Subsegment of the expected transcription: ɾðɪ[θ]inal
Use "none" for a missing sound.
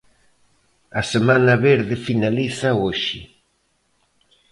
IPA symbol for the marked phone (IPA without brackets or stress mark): f